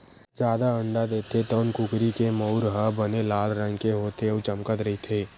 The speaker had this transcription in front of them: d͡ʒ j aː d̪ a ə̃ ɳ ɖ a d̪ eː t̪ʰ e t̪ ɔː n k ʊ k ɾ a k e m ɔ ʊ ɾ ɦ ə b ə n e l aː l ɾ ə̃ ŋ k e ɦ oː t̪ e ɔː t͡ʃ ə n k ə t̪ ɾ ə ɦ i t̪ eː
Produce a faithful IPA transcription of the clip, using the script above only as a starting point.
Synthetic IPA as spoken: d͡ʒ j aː d̪ a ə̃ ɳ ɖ a d̪ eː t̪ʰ e t̪ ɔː n k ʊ k ɾ i k e m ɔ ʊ ɾ ɦ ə b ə n e l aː l ɾ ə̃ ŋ k e ɦ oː t̪ e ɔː t͡ʃ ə m k ə t̪ ɾ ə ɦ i t̪ʰ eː